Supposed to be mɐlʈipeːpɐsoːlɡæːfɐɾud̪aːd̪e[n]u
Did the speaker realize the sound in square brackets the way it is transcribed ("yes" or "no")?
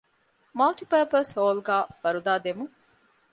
no